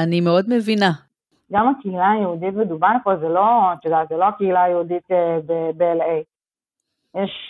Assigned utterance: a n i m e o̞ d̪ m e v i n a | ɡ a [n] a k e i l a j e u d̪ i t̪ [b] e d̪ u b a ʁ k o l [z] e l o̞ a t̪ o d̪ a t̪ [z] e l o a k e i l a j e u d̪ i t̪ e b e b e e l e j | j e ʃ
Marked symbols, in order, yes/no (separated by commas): no, no, yes, yes